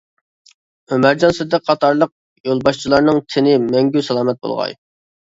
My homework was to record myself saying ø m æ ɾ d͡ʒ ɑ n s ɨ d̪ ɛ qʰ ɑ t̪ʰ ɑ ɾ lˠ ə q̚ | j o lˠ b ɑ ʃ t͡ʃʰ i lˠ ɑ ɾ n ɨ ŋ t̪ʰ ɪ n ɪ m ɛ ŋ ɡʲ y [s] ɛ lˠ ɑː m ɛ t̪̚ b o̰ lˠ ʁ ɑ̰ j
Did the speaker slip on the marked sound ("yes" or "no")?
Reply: no